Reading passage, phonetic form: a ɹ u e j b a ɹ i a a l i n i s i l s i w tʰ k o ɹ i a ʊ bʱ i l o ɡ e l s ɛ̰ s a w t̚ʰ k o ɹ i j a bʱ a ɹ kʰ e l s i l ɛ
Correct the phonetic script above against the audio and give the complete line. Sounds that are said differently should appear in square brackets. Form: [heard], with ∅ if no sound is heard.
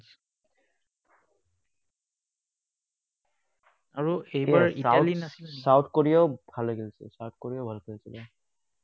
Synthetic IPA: a ɹ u e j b a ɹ i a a l i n [a] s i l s [a] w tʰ k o ɹ i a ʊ bʱ [a] l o ɡ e l s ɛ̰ s a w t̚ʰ k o ɹ i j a bʱ a [l] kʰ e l s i l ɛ

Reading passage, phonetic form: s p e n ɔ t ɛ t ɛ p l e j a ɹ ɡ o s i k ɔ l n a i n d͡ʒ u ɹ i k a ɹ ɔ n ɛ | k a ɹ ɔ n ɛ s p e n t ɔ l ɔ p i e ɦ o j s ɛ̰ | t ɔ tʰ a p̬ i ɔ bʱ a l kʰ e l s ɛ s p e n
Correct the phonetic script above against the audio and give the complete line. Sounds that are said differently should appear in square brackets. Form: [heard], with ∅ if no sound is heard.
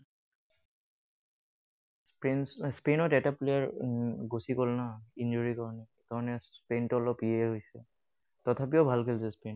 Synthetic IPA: s p e n ɔ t ɛ t [a] p l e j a ɹ ɡ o s i k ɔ l n a i n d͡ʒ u ɹ i k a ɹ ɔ n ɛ | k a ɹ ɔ n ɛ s p e n t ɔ l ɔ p i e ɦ o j s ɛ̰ | t ɔ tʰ a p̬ i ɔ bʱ a l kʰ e l s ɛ s p e n

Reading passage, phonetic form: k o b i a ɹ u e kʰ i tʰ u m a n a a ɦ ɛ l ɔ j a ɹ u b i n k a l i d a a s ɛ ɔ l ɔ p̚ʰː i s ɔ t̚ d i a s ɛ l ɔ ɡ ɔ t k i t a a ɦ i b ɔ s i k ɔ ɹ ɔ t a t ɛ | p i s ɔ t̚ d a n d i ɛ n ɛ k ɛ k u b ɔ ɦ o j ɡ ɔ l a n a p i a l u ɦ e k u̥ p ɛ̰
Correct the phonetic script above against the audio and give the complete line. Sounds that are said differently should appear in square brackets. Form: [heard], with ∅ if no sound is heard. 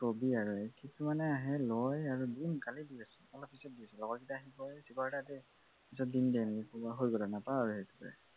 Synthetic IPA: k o b i a ɹ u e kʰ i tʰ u m a n [ɛ] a ɦ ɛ l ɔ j a ɹ u [d] i n k a l i d [i] a s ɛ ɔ l ɔ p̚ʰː i s ɔ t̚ d i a s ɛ l ɔ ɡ ɔ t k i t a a ɦ i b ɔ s i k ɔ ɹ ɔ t a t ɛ | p i s ɔ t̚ d [i] n d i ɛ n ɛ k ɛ k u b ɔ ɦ o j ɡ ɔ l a n a p [a] a [ɹ] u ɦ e [t] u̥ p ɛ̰

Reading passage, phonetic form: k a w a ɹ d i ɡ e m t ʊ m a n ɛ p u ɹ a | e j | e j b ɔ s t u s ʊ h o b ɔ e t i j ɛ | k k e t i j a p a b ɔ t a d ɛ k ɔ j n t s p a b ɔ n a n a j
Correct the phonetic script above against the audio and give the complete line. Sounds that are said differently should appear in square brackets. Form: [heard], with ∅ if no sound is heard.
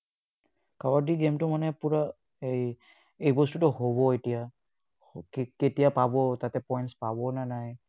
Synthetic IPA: k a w a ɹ d i ɡ e m t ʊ m a n ɛ p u ɹ a | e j | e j b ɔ s t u [t] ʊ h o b ɔ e t i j [a] | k k e t i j a p a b ɔ t a [t] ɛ [p] ɔ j n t s p a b ɔ n a n a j

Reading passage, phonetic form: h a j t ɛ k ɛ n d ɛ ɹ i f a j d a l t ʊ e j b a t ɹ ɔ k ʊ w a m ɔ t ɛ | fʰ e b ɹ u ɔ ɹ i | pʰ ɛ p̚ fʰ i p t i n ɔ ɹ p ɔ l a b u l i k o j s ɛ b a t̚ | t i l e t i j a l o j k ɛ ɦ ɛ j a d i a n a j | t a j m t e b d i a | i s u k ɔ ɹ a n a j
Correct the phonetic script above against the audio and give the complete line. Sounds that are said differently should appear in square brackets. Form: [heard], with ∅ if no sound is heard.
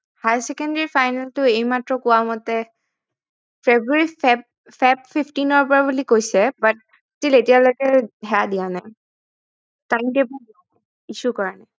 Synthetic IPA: h a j [s] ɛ k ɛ n d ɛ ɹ i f a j [n] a l t ʊ e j [m] a t ɹ ɔ k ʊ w a m ɔ t ɛ | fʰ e b ɹ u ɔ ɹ i | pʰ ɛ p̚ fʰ i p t i n ɔ ɹ p ɔ [ɹ] a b u l i k o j s ɛ b a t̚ | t i l e t i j a l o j k ɛ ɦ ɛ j a d i a n a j | t a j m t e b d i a | i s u k ɔ ɹ a n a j

